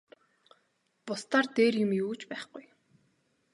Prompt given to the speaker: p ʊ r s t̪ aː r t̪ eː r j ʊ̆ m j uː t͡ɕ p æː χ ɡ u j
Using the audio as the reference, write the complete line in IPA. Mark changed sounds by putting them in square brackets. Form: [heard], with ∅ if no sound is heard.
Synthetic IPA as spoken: p ʊ [∅] s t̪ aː r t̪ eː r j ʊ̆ m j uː t͡ɕ p æː χ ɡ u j